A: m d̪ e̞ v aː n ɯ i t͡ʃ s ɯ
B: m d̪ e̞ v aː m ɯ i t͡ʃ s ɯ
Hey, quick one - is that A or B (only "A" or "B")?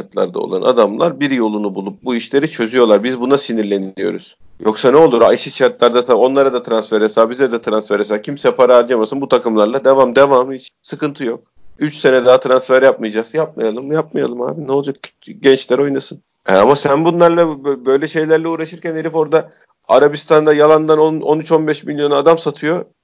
B